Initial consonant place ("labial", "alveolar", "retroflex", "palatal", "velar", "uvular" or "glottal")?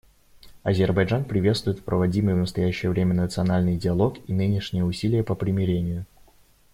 alveolar